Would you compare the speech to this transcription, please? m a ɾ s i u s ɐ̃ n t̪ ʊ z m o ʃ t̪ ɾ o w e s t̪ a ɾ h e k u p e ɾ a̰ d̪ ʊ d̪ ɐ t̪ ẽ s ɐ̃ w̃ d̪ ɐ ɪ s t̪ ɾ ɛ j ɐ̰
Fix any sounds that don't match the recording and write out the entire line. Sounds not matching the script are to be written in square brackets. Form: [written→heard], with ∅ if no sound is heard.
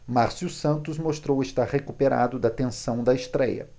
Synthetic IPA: m a ɾ s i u s ɐ̃ n t̪ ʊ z m o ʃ t̪ ɾ o w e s t̪ a ɾ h e k u p e ɾ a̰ d̪ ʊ d̪ ɐ t̪ ẽ s ɐ̃ w̃ d̪ ɐ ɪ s t̪ ɾ ɛ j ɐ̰